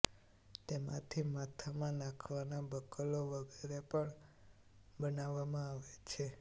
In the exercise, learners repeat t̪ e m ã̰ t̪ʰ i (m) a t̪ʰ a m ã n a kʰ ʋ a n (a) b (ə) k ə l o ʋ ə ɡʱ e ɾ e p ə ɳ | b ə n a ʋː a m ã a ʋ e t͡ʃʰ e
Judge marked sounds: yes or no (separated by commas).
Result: yes, yes, yes